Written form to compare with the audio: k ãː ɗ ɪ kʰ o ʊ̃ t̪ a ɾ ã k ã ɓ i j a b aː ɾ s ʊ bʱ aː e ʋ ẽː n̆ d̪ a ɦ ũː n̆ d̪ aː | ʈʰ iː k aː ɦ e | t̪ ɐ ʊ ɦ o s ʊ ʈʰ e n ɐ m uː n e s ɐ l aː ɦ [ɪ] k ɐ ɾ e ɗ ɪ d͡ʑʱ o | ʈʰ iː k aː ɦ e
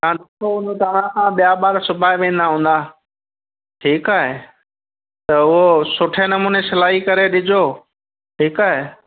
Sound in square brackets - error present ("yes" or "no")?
yes